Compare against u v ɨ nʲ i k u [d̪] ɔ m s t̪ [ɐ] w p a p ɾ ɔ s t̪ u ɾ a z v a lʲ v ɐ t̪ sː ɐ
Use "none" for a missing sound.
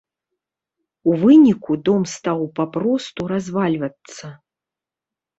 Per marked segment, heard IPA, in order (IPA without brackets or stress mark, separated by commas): d̪, a